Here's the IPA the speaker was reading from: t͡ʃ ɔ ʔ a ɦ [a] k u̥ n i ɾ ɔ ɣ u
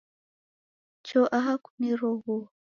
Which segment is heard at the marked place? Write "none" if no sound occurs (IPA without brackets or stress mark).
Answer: a